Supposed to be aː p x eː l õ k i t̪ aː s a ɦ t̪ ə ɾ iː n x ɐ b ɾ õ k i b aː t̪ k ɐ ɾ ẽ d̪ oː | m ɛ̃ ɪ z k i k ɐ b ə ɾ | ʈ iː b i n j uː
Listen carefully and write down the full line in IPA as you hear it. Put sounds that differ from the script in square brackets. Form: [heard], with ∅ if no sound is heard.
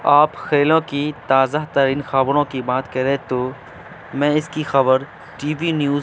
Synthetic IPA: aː p x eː l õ k i t̪ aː [z] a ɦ t̪ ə ɾ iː n x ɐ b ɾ õ k i b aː t̪ k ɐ ɾ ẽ [t̪] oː | m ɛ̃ ɪ [s] k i [x] ɐ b ə ɾ | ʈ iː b i n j uː

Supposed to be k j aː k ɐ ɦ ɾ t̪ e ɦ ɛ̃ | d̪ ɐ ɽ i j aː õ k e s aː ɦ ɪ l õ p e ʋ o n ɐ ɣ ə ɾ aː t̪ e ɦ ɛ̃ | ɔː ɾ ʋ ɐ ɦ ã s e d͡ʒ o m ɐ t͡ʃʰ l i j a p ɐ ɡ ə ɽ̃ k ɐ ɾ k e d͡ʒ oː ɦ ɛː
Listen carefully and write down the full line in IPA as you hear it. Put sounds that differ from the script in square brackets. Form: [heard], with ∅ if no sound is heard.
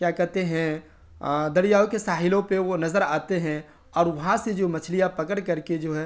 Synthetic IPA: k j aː k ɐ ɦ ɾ t̪ e ɦ ɛ̃ | d̪ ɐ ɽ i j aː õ k e s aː ɦ ɪ l õ p e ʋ o n ɐ [z] ə ɾ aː t̪ e ɦ ɛ̃ | ɔː ɾ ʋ ɐ ɦ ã s e d͡ʒ o m ɐ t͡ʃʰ l i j a p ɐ [k] ə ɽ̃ k ɐ ɾ k e d͡ʒ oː ɦ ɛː

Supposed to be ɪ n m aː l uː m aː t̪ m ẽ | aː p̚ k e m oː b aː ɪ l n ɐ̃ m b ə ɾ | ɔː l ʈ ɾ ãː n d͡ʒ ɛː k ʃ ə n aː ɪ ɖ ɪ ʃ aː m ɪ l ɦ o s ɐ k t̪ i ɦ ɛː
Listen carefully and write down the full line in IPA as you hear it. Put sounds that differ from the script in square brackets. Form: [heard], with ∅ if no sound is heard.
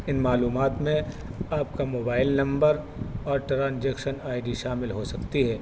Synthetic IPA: ɪ n m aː l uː m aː t̪ m ẽ | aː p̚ k [a] m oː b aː ɪ l n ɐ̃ m b ə ɾ | ɔː [ɾ] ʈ ɾ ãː n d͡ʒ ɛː k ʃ ə n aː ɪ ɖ [i] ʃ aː m ɪ l ɦ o s ɐ k t̪ i ɦ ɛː

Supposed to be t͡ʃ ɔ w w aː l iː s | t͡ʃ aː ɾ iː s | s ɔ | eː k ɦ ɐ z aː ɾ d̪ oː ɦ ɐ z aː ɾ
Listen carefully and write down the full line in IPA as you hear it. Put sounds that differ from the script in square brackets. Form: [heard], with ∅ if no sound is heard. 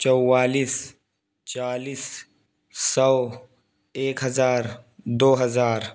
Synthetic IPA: t͡ʃ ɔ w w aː l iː s | t͡ʃ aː [l] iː s | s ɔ | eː k ɦ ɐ z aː ɾ d̪ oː ɦ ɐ z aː ɾ

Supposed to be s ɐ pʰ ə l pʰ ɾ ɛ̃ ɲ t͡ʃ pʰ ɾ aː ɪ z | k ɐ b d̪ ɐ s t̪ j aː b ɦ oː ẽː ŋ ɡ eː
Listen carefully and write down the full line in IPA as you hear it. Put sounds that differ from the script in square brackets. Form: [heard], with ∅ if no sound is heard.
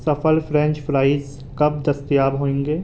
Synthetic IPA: s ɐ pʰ ə l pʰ ɾ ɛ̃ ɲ t͡ʃ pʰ ɾ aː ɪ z | k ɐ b d̪ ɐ s t̪ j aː b ɦ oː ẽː ŋ ɡ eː

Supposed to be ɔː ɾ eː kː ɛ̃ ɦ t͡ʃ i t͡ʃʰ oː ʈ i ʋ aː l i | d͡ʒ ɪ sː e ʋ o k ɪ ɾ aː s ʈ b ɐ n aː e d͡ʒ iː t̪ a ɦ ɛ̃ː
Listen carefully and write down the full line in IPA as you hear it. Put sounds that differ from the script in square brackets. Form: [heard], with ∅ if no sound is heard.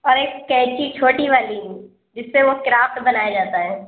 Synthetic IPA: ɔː ɾ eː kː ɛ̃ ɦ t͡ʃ i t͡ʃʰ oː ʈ i ʋ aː l i | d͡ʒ ɪ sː e ʋ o k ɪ ɾ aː [f] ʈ b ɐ n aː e d͡ʒ [aː] t̪ a ɦ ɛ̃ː

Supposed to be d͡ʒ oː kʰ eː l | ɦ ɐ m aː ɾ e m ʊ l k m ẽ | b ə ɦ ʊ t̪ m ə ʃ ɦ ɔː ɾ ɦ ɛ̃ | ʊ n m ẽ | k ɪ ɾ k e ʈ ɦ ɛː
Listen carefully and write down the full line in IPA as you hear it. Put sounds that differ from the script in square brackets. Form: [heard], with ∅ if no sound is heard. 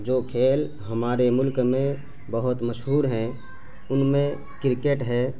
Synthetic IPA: d͡ʒ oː kʰ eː l | ɦ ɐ m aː ɾ e m ʊ l k m ẽ | b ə ɦ ʊ t̪ m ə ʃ ɦ [uː] ɾ ɦ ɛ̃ | ʊ n m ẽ | k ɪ ɾ k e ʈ ɦ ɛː

